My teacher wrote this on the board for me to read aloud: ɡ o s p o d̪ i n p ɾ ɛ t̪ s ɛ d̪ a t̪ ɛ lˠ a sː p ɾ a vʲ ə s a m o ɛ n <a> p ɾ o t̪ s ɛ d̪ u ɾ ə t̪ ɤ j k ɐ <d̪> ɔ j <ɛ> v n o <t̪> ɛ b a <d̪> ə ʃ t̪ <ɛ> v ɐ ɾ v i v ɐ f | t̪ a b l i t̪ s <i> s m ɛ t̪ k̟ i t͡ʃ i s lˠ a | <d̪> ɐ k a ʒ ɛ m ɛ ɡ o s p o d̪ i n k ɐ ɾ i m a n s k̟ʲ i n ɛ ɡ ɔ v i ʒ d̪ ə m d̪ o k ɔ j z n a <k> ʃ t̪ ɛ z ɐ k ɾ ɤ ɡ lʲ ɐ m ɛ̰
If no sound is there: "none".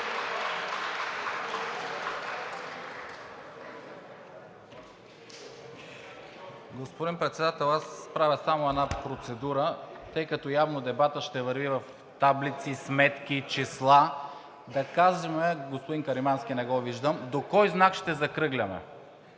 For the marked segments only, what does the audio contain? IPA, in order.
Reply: a, t̪, a, d̪, t̪, ɛ, i, d̪, k

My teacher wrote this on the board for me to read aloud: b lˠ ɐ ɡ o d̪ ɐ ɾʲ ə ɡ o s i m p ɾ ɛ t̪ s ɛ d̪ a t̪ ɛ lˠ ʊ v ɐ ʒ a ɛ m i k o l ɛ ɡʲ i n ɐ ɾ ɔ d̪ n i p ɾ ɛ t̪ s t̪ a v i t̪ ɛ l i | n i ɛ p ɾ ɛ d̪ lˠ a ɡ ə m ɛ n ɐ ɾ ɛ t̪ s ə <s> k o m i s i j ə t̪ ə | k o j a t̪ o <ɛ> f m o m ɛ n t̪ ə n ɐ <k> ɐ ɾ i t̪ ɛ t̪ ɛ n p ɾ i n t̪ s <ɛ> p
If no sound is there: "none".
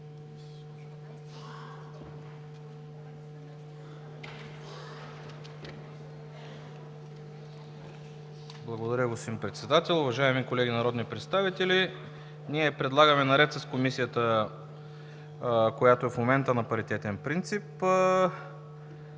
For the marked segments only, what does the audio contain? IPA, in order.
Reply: s, ɛ, p, i

